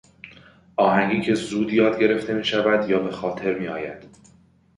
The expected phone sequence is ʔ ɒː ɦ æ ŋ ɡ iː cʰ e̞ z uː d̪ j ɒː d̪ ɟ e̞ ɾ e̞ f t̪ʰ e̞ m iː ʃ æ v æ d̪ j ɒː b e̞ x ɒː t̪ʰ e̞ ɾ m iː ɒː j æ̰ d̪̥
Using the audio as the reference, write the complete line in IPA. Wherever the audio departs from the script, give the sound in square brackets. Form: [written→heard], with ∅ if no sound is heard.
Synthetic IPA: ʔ ɒː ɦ æ ŋ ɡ iː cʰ e̞ z uː d̪ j ɒː d̪ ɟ e̞ ɾ e̞ f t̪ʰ e̞ m iː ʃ æ v æ d̪ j ɒː b e̞ x ɒː t̪ʰ e̞ ɾ m iː ɒː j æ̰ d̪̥